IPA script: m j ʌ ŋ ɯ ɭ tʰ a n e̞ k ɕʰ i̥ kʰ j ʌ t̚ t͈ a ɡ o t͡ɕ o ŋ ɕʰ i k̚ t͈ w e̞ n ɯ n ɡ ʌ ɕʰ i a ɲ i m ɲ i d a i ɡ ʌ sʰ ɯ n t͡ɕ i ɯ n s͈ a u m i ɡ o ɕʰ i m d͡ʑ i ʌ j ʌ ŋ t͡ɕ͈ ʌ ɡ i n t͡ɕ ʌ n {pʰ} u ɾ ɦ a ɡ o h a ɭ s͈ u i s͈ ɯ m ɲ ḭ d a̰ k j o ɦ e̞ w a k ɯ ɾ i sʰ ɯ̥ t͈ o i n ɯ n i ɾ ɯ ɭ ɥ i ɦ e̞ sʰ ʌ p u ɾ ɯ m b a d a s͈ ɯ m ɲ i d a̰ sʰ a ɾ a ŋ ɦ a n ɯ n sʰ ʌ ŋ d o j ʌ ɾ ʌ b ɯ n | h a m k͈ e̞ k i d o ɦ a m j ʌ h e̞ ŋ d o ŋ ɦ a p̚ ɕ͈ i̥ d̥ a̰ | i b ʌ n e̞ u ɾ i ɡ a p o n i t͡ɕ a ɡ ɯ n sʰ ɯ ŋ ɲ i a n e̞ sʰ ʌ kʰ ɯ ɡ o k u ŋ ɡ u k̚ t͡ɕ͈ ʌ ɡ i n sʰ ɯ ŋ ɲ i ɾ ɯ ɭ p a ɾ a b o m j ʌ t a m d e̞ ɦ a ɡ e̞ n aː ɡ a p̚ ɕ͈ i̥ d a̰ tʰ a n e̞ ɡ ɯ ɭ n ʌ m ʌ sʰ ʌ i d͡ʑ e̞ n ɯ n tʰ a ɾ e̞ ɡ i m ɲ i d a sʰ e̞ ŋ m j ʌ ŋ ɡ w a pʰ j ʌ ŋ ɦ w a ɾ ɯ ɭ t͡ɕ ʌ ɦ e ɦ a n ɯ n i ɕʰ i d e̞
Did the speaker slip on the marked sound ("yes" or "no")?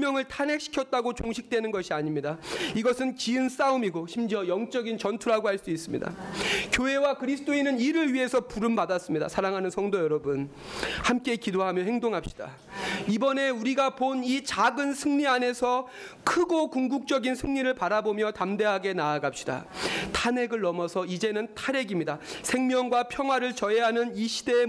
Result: yes